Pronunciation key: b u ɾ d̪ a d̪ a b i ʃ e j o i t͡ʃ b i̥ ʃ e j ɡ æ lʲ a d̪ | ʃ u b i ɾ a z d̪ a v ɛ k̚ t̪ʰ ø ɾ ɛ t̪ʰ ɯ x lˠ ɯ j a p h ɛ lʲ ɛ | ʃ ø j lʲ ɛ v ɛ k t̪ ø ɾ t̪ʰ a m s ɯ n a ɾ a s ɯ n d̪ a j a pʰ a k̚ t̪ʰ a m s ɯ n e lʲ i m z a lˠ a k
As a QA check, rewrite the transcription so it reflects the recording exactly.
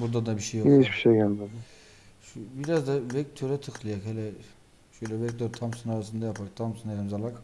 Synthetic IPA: b u ɾ d̪ a d̪ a b i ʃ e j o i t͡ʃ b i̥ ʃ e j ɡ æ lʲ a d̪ | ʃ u b i ɾ a z d̪ a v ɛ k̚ t̪ʰ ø ɾ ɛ t̪ʰ ɯ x lˠ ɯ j a k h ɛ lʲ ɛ | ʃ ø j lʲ ɛ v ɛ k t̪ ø ɾ t̪ʰ a m s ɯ n a ɾ a s ɯ n d̪ a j a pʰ a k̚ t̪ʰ a m s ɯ n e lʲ i m z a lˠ a k